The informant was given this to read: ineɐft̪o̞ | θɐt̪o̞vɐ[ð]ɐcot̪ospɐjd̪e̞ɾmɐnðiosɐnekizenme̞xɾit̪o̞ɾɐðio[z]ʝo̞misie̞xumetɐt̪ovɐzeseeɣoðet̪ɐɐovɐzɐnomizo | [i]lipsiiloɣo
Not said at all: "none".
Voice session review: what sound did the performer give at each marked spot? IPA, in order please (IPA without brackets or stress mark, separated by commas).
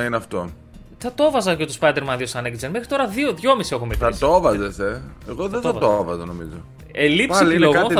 z, ð, e